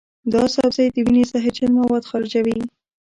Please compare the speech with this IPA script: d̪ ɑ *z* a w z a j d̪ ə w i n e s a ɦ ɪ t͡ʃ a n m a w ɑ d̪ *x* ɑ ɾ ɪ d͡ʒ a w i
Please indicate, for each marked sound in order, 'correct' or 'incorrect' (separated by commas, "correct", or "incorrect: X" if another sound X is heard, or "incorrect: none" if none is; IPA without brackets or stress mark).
incorrect: s, correct